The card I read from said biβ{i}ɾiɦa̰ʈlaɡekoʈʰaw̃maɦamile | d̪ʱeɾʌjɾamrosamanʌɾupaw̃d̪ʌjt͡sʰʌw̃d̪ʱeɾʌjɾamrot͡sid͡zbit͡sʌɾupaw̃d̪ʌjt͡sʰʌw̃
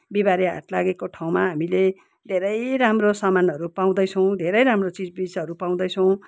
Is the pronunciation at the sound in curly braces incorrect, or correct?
incorrect: a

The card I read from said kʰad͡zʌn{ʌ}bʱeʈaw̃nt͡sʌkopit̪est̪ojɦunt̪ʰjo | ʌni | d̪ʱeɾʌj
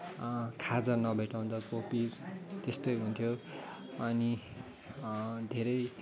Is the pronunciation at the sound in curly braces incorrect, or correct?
correct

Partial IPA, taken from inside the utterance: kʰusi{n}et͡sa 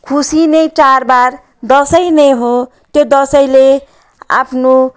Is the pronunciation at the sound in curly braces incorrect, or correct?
correct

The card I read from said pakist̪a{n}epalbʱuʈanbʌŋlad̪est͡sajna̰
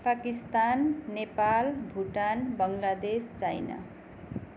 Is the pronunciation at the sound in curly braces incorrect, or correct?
incorrect: nː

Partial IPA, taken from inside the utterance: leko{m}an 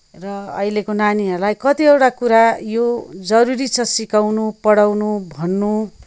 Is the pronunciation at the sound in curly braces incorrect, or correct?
incorrect: n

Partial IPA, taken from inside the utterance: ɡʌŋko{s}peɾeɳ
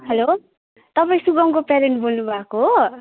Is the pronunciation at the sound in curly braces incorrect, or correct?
incorrect: none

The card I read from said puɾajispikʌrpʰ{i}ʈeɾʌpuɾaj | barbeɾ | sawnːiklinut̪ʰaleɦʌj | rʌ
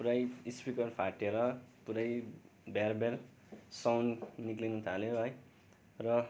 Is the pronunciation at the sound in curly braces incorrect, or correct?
incorrect: a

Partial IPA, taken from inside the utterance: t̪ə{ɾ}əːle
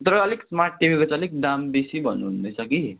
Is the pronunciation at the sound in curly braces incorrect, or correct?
correct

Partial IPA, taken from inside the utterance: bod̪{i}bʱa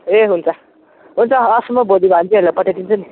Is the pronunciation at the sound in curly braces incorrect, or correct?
correct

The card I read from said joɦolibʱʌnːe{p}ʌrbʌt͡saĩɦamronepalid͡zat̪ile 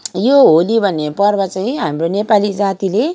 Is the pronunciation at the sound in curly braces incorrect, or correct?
correct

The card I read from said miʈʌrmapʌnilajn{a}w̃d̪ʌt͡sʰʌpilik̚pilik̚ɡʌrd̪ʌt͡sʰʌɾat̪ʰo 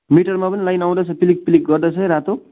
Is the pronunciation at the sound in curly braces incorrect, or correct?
correct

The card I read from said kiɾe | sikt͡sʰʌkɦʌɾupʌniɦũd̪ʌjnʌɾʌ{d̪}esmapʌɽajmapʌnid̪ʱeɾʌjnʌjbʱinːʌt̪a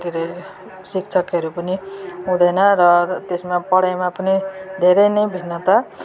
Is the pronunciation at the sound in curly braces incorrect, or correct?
incorrect: t̪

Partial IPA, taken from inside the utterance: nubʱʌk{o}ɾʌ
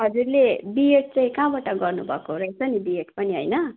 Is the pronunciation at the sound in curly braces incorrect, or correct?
correct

